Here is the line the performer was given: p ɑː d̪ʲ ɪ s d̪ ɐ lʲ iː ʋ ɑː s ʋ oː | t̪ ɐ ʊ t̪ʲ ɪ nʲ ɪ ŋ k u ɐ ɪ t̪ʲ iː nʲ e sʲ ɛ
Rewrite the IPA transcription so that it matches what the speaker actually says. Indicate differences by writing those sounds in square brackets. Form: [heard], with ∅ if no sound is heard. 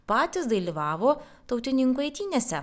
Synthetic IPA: p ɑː [t̪ʲ] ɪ s d̪ ɐ lʲ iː ʋ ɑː [∅] ʋ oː | t̪ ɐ ʊ t̪ʲ ɪ nʲ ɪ ŋ k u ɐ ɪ t̪ʲ iː nʲ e sʲ ɛ